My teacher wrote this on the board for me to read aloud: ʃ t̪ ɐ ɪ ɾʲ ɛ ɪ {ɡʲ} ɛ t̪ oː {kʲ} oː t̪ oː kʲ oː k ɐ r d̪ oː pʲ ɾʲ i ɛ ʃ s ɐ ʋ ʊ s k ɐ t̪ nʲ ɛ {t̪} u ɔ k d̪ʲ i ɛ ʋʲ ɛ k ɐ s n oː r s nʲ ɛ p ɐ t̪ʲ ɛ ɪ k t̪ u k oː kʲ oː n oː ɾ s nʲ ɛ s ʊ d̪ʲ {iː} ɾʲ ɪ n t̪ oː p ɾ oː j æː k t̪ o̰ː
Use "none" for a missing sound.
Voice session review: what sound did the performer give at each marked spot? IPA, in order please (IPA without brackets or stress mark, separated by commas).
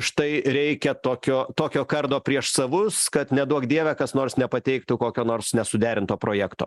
kʲ, kʲ, d̪, æː